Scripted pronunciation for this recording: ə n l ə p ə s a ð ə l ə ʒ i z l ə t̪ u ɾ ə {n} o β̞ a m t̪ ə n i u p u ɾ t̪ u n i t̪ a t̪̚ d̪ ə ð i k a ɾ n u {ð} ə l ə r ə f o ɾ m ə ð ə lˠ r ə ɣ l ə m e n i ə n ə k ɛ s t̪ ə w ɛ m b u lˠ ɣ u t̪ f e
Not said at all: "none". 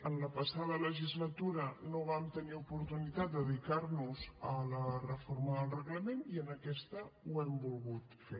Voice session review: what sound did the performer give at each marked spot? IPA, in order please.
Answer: n, z

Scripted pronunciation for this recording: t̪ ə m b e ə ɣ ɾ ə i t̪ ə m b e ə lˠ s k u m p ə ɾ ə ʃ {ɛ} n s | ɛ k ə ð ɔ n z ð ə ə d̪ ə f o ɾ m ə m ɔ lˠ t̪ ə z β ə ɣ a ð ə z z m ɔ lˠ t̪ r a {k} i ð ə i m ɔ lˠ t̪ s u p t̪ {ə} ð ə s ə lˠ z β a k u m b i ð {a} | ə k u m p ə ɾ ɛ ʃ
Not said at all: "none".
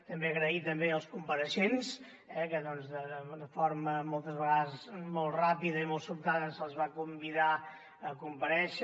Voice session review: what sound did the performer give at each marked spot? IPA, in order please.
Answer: e, p, a, a

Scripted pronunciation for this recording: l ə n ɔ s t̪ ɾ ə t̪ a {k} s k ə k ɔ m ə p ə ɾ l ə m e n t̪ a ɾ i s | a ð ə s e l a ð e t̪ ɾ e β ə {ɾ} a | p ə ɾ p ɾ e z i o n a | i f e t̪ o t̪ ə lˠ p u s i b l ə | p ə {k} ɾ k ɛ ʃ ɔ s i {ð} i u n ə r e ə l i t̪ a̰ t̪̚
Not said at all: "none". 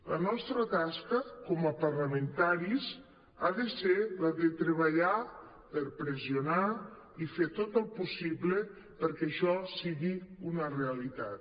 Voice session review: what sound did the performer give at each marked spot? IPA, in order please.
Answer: none, ʎ, none, ɣ

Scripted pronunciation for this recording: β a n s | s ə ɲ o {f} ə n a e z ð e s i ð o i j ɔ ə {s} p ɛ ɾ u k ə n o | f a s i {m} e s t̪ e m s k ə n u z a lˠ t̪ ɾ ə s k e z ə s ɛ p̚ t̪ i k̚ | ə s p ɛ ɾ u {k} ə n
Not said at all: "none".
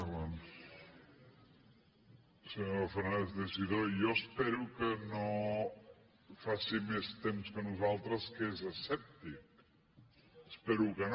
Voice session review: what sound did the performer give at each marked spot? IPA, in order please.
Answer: f, s, m, k

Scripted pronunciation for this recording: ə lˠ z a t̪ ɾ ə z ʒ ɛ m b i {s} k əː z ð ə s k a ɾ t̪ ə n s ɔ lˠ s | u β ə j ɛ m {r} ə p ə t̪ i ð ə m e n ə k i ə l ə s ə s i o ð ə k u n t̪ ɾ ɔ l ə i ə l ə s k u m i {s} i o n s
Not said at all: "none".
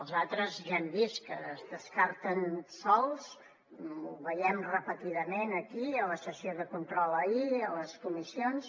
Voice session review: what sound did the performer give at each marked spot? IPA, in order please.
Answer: s, r, s

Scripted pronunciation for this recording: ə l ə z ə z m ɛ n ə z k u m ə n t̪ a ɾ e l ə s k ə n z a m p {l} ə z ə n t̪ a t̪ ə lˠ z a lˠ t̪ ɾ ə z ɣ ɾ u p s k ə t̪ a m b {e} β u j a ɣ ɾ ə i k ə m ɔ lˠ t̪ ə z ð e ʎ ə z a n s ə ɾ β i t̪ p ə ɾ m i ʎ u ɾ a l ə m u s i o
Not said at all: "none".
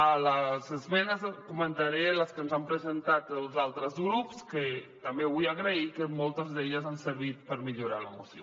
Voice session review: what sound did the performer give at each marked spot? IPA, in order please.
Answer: ɾ, e

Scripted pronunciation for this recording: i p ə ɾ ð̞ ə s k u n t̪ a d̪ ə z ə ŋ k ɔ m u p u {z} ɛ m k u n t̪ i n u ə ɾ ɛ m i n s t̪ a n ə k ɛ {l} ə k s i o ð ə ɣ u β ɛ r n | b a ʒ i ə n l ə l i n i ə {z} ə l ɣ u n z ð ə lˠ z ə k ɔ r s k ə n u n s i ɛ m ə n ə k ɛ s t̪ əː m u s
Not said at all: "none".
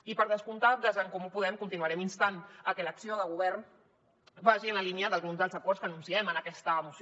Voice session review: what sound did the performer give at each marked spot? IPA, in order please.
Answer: ð, l, ð

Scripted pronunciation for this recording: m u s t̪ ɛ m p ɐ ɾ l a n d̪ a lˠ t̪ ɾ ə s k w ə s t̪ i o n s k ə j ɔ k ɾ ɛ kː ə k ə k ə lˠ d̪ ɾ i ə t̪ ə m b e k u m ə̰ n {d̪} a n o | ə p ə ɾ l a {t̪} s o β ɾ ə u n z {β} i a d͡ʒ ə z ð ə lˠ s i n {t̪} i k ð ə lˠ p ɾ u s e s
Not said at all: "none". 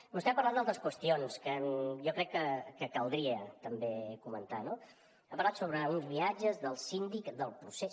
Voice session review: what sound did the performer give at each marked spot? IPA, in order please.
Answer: t̪, t̪, β, d̪

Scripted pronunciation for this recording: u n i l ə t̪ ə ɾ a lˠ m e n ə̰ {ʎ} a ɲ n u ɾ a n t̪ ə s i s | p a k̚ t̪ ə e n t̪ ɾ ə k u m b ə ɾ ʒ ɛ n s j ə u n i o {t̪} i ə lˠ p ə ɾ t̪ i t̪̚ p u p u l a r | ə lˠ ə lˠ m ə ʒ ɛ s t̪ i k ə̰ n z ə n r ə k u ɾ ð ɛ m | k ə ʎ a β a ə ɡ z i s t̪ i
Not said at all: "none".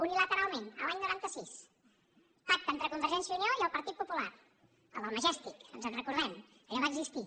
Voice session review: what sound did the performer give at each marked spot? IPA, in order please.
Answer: l, none

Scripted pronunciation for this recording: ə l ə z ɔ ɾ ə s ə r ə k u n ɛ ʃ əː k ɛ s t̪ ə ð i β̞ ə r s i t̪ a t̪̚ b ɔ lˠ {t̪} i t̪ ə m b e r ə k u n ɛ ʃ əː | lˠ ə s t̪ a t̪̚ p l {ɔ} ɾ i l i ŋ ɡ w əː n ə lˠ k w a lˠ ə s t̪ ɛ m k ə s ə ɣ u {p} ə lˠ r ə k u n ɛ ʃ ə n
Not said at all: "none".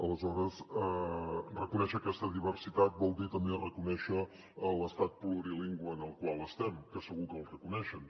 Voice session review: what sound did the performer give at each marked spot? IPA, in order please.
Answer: d̪, u, k

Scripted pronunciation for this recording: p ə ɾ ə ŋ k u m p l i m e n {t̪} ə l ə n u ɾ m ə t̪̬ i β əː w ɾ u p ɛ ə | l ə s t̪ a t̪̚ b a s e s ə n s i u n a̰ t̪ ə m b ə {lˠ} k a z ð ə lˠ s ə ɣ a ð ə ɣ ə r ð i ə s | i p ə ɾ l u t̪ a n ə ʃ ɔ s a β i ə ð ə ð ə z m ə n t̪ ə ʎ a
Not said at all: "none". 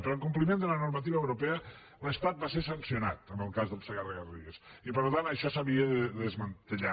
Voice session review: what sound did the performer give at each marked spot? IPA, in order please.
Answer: d̪, lˠ

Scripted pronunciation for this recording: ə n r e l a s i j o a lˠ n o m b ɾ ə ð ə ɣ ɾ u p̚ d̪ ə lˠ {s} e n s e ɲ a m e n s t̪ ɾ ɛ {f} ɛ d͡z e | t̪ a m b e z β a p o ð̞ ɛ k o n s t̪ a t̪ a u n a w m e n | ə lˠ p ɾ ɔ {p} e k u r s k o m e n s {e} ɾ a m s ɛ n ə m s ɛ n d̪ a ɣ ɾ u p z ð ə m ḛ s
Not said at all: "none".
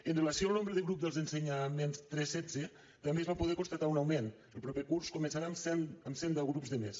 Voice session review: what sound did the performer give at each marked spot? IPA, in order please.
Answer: z, s, p, a

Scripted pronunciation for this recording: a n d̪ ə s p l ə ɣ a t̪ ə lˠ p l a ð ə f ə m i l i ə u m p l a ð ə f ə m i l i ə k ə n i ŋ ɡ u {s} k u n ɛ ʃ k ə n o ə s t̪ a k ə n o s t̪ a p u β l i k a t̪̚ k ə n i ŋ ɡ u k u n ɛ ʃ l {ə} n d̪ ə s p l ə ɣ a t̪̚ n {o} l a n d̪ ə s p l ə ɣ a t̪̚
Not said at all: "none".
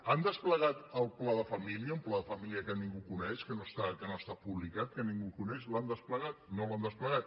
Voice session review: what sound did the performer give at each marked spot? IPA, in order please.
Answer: none, a, o

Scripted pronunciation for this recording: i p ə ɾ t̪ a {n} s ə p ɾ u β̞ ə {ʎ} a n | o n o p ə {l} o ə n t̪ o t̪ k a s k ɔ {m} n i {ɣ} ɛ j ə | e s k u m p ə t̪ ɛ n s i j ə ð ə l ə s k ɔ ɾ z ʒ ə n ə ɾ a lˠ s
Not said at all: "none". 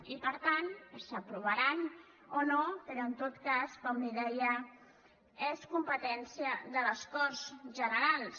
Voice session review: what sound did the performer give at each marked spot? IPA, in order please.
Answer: n, ɾ, ɾ, m, ð

